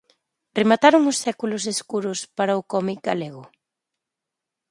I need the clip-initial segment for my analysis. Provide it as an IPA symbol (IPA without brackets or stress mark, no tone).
r